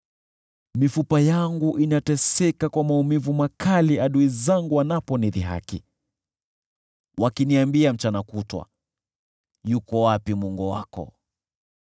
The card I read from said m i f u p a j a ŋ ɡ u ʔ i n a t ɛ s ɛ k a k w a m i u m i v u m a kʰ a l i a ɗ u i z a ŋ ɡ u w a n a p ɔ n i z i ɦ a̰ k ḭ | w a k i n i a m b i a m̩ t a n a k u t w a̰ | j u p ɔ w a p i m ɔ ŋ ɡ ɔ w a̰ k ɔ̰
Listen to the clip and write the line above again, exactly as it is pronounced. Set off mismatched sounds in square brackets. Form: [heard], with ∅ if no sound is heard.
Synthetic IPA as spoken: m i f u p a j a ŋ ɡ u ʔ i n a t ɛ s ɛ k a k w a m [a] u m i v u m a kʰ a l i a ɗ u i z a ŋ ɡ u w a n a p ɔ n i [ð] i ɦ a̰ k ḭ | w a k i n i a m b i a m̩ [t͡ʃ] a n a k u t w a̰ | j u [k] ɔ w a p i m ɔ ŋ ɡ ɔ w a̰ k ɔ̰